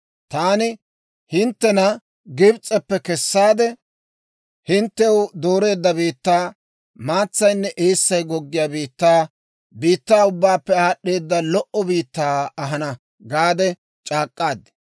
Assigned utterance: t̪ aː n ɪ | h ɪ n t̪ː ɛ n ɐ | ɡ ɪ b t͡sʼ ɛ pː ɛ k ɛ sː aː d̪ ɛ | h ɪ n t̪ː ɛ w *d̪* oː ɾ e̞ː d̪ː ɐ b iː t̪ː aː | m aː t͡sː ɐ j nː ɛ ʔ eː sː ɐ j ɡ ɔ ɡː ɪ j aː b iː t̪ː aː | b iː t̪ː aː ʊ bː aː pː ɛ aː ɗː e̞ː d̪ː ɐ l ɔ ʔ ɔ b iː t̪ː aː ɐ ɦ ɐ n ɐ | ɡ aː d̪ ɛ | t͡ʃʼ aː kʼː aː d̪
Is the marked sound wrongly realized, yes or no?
no